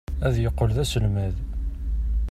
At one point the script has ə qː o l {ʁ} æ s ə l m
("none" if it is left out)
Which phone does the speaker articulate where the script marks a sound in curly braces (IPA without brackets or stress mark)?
ð